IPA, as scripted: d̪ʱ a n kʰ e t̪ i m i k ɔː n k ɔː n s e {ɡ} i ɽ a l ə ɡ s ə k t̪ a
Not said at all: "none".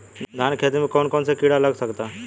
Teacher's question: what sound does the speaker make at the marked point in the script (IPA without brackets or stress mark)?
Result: k